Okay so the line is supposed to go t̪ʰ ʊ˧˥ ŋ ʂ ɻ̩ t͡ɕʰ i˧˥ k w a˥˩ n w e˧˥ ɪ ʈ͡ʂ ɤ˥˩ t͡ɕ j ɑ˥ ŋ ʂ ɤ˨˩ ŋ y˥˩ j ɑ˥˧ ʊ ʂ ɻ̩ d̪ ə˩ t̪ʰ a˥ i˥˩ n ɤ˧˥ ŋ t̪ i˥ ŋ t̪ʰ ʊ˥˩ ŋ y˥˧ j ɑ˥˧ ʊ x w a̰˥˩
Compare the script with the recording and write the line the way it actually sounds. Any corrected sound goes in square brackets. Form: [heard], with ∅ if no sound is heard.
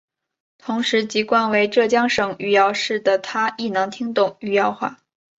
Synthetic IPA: t̪ʰ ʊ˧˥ ŋ ʂ ɻ̩ [t͡ɕ] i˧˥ k w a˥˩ n w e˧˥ ɪ ʈ͡ʂ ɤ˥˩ t͡ɕ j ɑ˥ ŋ ʂ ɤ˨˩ ŋ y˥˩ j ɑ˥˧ ʊ ʂ ɻ̩ d̪ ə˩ t̪ʰ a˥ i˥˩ n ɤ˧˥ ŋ [t̪ʰ] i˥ ŋ [t̪] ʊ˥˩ ŋ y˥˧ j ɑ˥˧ ʊ x w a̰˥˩